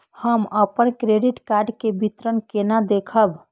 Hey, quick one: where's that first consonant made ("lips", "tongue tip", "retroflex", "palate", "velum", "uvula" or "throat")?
throat